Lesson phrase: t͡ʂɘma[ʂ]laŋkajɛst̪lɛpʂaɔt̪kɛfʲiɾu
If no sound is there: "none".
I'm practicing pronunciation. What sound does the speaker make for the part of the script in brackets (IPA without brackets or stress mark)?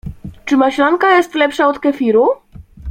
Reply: ɕ